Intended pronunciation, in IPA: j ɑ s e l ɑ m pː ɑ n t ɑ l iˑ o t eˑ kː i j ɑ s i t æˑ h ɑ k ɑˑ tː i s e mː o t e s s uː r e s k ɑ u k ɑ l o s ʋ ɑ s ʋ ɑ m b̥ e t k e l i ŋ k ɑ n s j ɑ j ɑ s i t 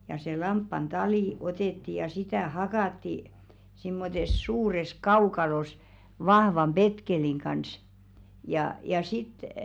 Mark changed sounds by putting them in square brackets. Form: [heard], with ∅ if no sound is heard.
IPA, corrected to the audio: j ɑ s e l ɑ m pː ɑ n t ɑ l iˑ o t eˑ [tː] i j ɑ s i t æˑ h ɑ k ɑˑ tː i s [i] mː o t e s s uː r e s k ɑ u k ɑ l o s ʋ ɑ [h] ʋ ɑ m b̥ e t k e l i ŋ k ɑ n s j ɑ j ɑ s i t